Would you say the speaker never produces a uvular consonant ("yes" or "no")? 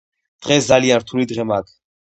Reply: no